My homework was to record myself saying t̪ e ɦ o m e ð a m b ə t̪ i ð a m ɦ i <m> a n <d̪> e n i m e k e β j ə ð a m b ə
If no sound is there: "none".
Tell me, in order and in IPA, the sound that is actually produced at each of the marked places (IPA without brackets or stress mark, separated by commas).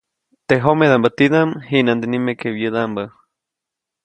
n, d̪